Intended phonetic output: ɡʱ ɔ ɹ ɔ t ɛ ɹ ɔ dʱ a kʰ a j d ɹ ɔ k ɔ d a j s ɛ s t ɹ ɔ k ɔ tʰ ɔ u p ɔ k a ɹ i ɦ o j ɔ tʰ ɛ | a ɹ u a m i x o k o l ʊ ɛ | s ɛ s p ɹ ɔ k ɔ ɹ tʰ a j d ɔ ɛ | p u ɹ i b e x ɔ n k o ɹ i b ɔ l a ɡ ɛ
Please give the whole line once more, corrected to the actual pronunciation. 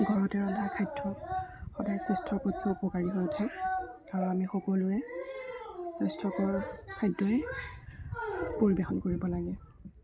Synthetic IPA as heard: ɡʱ ɔ ɹ ɔ t ɛ ɹ ɔ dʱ a kʰ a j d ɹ ɔ x ɔ d a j s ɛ s t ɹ ɔ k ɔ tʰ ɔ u p ɔ k a ɹ i ɦ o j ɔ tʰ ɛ | a ɹ u a m i x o k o l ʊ ɛ | s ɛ s t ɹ ɔ k ɔ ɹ kʰ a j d ɔ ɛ | p o ɹ i b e x ɔ n k o ɹ i b ɔ l a ɡ ɛ